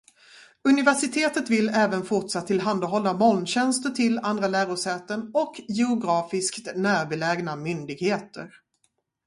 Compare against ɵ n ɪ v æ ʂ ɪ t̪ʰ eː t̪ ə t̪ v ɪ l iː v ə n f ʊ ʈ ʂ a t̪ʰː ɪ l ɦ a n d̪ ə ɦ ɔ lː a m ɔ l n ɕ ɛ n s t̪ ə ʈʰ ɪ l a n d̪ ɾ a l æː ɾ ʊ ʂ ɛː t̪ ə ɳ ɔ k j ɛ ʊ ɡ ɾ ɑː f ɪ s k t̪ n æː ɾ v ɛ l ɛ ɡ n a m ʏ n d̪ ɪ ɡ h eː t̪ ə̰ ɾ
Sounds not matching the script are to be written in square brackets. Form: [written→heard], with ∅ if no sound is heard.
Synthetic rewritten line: ɵ n ɪ v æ ʂ ɪ t̪ʰ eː t̪ ə t̪ v ɪ l [iː→ɛː] v ə n f ʊ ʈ ʂ a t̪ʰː ɪ l ɦ a n d̪ [ə→a] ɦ ɔ lː a m ɔ l n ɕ ɛ n s t̪ ə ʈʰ ɪ l a n d̪ ɾ a l æː ɾ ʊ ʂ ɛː t̪ ə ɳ ɔ k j ɛ ʊ ɡ ɾ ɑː f ɪ s k t̪ n æː ɾ [v→b] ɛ l ɛ ɡ n a m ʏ n d̪ ɪ ɡ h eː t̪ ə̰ ɾ

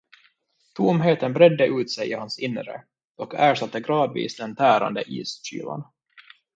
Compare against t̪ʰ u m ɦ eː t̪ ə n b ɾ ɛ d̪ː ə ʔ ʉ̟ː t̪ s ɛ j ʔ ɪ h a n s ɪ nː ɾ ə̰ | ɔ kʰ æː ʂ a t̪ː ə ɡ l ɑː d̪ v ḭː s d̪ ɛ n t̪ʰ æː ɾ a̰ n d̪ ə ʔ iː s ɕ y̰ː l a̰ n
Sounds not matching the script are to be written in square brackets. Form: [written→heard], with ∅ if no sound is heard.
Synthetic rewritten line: t̪ʰ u m ɦ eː t̪ ə n b ɾ ɛ d̪ː ə ʔ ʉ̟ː t̪ s ɛ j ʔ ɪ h a n s ɪ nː ɾ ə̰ | ɔ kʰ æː ʂ a t̪ː ə ɡ [l→ɾ] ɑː d̪ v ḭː s d̪ ɛ n t̪ʰ æː ɾ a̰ n d̪ ə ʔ iː s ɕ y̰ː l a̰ n

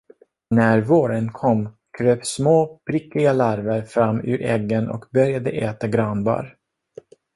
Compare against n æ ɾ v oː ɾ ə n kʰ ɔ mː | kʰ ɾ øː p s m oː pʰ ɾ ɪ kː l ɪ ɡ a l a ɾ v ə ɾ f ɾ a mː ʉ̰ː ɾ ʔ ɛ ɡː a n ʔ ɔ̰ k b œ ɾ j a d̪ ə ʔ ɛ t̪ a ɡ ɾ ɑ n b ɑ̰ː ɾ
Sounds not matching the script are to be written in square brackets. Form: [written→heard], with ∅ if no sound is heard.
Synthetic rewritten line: n æ ɾ v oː ɾ ə n kʰ ɔ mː | kʰ ɾ øː p s m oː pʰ ɾ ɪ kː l ɪ ɡ a l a ɾ v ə ɾ f ɾ a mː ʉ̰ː ɾ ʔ ɛ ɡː [a→ə] n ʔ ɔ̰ k b œ ɾ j a d̪ ə ʔ [ɛ→ɛː] t̪ a ɡ ɾ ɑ n b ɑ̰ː ɾ

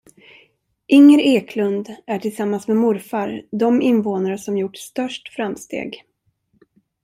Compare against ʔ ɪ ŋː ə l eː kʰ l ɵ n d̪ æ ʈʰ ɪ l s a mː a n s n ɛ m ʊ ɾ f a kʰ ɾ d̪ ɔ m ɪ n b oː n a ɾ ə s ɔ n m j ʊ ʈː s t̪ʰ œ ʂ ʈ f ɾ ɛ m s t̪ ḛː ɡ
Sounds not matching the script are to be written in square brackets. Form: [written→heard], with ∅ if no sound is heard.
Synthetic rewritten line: ʔ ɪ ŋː ə [l→ɾ] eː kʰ l ɵ n d̪ æ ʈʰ ɪ l s a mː a n s [n→m] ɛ m ʊ ɾ f a [kʰ→∅] ɾ d̪ ɔ m ɪ n [b→v] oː n a ɾ ə s ɔ [n→∅] m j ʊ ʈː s [t̪ʰ→t̪] œ ʂ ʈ f ɾ [ɛ→a] m s t̪ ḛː ɡ

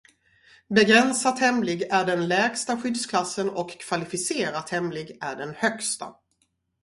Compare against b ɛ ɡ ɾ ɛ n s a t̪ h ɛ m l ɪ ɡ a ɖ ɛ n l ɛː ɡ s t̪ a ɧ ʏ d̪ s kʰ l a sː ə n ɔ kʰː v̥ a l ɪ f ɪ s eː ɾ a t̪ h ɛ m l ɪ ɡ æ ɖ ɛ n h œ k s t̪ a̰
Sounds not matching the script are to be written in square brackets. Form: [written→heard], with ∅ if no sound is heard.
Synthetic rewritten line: b ɛ ɡ ɾ ɛ n s a t̪ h ɛ m l ɪ ɡ [a→æ] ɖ ɛ n l ɛː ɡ s t̪ a ɧ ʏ d̪ s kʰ l a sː ə n ɔ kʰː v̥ a l ɪ f ɪ s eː ɾ a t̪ h ɛ m l ɪ ɡ æ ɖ ɛ n h œ k s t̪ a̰

